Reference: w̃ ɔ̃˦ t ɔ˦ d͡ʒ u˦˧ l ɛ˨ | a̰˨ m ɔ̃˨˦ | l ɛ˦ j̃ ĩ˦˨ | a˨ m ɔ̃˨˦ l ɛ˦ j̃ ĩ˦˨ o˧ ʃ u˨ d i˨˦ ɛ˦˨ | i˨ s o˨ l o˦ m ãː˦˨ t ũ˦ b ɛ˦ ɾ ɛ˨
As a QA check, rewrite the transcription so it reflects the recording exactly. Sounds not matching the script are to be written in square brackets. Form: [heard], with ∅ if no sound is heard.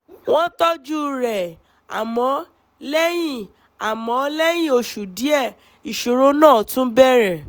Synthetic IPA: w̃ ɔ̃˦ t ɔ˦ d͡ʒ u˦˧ [ɾ] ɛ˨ | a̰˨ m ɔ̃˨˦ | l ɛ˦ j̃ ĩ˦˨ | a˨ m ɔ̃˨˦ l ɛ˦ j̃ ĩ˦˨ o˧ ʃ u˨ d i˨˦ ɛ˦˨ | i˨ [ʃ] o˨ [ɾ] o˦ [n] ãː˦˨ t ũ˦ b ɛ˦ ɾ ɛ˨